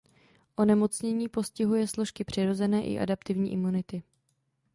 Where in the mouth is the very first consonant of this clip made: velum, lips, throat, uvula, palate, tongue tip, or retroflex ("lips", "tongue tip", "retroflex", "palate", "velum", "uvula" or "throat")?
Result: throat